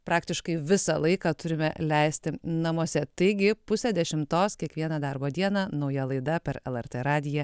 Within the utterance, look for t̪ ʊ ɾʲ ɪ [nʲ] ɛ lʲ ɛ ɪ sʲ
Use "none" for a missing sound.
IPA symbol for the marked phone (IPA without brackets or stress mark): mʲ